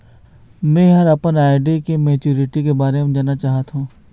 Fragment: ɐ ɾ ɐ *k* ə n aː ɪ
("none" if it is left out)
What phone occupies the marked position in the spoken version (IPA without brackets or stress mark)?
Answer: p